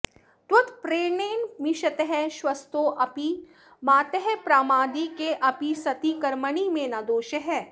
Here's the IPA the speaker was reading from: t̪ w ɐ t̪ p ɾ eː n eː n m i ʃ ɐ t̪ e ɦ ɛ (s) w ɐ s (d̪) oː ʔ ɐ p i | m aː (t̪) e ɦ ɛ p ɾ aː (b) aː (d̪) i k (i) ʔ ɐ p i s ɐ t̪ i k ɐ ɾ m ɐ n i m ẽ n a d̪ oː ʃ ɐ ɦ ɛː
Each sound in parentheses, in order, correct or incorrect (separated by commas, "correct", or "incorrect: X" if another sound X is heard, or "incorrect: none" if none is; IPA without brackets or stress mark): incorrect: ʃ, incorrect: t̪, correct, incorrect: m, correct, incorrect: e